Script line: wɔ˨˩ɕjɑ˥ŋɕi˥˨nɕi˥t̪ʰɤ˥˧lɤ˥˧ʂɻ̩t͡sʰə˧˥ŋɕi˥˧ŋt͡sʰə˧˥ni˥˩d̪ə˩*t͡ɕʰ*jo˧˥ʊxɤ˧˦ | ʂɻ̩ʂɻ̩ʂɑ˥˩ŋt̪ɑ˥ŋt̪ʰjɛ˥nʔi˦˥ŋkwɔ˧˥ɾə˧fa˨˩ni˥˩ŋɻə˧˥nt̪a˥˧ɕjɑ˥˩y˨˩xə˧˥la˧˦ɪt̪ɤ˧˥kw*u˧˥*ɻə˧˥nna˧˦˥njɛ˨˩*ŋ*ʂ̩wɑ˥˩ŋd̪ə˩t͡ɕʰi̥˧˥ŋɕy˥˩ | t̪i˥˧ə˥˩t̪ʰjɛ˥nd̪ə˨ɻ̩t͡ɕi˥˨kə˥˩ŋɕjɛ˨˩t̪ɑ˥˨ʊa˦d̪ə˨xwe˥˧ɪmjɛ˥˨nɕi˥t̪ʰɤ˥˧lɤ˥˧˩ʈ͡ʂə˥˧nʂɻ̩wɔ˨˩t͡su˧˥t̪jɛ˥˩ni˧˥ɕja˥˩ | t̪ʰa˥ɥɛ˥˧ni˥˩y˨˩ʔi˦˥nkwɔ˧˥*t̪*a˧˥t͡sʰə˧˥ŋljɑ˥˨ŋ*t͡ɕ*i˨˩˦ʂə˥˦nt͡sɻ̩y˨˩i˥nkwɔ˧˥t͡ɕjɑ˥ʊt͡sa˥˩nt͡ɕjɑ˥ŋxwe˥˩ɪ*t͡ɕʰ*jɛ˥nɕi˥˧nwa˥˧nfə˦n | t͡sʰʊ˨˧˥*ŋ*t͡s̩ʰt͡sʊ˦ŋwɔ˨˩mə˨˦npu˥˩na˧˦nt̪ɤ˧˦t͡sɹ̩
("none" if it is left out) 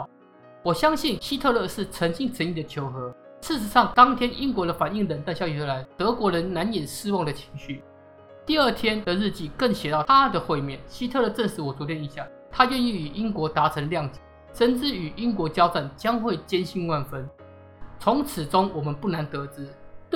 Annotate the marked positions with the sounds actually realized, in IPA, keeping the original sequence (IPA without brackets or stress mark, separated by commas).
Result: t͡ɕʰ, ɔ˧˥, n, t̪, t͡ɕ, t͡ɕ, ŋ